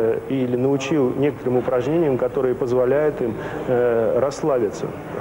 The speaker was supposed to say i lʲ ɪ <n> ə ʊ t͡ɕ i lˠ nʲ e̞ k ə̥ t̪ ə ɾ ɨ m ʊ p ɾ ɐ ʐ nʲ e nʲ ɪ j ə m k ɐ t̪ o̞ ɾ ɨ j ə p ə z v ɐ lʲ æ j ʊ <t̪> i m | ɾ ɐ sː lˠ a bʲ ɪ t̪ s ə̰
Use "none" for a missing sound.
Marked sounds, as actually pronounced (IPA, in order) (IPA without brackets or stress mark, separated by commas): n, t̪